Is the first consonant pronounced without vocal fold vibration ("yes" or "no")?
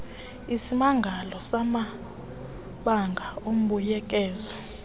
yes